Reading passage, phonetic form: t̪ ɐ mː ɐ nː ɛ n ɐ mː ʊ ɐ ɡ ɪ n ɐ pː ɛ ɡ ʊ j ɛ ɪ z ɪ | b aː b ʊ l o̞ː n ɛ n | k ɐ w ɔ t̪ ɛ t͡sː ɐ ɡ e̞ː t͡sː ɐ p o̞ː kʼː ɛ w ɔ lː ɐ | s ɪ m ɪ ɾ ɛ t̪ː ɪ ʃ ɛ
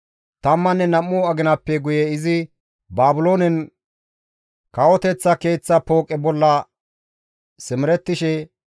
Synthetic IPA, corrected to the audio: t̪ ɐ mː ɐ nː ɛ n ɐ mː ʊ ɐ ɡ ɪ n ɐ pː ɛ ɡ ʊ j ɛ ɪ z ɪ | b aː b ʊ l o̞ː n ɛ n | k ɐ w ɔ t̪ ɛ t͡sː ɐ k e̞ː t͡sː ɐ p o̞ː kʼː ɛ b ɔ lː ɐ | s ɪ m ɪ ɾ ɛ t̪ː ɪ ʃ ɛ